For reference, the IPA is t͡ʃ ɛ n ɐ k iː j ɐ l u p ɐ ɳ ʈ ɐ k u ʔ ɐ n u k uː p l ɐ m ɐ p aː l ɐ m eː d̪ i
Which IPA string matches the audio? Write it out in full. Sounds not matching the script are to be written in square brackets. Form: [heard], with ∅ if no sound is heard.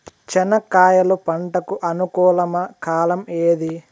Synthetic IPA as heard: t͡ʃ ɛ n ɐ k [aː] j ɐ l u p ɐ ɳ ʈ ɐ k u ʔ ɐ n u k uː [∅] l ɐ m ɐ [k] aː l ɐ m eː d̪ i